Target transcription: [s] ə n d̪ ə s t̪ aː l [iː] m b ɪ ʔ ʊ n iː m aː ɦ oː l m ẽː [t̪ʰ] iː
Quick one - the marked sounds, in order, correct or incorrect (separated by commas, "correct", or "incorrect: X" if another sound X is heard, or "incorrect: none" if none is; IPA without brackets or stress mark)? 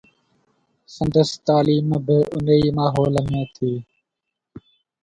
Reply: correct, correct, correct